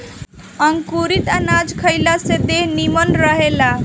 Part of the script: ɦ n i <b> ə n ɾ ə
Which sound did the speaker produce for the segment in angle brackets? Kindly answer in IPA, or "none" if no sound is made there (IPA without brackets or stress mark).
m